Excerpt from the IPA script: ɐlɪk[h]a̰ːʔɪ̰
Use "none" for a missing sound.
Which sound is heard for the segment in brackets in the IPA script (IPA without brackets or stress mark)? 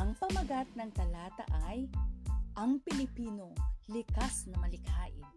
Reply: h